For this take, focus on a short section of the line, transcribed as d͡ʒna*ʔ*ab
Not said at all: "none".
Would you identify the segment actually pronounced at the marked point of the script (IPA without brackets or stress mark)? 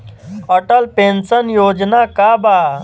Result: k